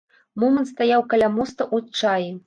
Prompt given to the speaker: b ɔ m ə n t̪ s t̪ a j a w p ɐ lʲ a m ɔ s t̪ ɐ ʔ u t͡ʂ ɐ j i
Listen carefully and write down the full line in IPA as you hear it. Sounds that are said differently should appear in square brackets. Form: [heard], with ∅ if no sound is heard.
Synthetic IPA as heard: [m] ɔ m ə n t̪ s t̪ a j a w [k] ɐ lʲ a m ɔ s t̪ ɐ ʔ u t͡ʂ [a] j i